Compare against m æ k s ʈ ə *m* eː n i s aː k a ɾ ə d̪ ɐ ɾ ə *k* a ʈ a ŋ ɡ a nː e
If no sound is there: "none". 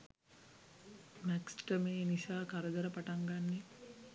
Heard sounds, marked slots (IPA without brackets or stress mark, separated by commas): m, p